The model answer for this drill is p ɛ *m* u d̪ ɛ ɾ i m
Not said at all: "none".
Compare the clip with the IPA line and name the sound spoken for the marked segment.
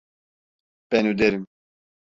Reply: n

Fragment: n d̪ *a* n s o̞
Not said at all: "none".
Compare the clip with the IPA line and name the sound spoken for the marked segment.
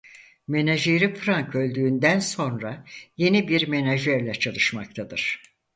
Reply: æ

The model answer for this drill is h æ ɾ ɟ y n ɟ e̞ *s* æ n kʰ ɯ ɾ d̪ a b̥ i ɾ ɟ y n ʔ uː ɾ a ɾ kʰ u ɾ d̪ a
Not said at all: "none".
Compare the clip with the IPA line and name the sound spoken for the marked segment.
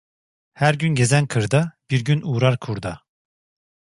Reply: z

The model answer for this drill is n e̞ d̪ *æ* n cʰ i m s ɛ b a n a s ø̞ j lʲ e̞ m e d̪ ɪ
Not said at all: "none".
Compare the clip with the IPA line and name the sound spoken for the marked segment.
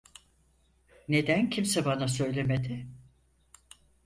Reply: æ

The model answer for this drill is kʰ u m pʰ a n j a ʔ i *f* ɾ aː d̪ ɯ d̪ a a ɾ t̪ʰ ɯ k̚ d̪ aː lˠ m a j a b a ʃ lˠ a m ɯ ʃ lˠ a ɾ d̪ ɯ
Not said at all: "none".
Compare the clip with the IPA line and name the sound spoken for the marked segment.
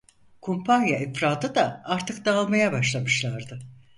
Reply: f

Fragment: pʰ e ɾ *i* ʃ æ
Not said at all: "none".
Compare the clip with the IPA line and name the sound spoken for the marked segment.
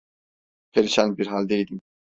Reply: i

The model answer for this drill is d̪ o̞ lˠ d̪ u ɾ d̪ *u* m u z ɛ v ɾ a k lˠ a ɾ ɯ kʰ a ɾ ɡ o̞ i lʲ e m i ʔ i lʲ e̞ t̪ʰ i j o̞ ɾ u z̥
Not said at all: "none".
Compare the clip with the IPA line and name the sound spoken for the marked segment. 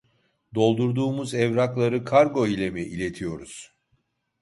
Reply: uː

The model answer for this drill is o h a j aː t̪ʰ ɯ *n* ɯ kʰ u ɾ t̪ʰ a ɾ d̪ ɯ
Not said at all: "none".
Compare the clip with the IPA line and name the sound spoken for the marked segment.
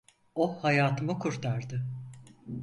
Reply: m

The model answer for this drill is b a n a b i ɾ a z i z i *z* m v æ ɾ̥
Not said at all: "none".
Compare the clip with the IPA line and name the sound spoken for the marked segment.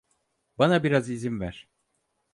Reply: none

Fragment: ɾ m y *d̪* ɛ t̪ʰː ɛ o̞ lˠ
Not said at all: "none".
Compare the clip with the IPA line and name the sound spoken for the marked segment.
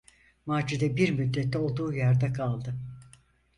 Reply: d̪ː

